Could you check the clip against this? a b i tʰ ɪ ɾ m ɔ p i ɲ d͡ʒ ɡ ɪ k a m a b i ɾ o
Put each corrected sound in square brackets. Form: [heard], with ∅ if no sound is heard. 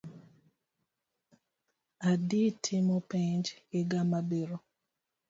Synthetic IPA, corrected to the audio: a [d] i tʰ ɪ [∅] m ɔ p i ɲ d͡ʒ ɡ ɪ [ɡ] a m a b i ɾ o